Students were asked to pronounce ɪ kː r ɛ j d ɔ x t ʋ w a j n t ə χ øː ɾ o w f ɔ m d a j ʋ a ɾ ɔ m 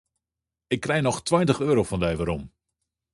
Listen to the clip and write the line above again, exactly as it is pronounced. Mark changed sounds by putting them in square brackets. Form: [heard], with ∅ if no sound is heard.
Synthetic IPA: ɪ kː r ɛ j [n] ɔ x t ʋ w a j n t ə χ øː ɾ o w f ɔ [n] d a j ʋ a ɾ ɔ m